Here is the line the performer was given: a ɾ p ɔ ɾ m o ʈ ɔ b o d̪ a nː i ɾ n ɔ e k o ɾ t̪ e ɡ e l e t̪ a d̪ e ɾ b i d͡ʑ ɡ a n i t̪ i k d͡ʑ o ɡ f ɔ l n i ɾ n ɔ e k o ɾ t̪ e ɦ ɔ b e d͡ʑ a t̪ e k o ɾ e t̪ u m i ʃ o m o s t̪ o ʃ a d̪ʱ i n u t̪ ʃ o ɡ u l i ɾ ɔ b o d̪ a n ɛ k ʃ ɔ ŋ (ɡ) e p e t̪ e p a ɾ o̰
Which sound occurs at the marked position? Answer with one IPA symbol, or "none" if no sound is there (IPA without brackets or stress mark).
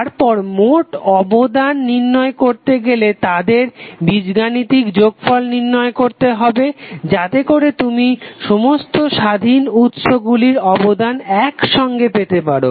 ɡ